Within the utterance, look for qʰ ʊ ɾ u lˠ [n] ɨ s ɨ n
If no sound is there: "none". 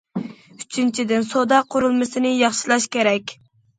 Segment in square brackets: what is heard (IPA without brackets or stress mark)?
m